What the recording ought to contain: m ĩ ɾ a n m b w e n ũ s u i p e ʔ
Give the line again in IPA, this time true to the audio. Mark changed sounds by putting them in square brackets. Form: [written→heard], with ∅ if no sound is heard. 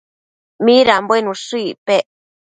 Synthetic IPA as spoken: m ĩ ɾ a [n→∅] m b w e n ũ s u i p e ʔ

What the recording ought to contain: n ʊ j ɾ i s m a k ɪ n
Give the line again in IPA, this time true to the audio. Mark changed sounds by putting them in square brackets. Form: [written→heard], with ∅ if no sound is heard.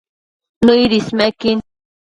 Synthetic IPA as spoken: n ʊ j ɾ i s m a k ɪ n

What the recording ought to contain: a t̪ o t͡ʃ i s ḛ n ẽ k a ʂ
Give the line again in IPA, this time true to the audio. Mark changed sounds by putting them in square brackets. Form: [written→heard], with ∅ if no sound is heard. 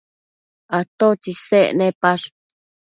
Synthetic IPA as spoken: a t̪ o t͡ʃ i s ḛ n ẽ [k→p] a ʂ

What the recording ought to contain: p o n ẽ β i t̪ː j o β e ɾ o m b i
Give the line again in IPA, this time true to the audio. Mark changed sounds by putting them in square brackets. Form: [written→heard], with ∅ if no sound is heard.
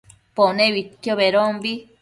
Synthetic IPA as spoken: p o n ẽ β i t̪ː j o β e ɾ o m b i

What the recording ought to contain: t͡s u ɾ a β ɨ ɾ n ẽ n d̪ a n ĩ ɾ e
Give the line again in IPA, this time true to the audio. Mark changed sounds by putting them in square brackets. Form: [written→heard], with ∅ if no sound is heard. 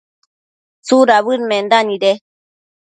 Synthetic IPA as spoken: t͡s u ɾ a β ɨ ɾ [n→m] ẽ n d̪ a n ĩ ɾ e

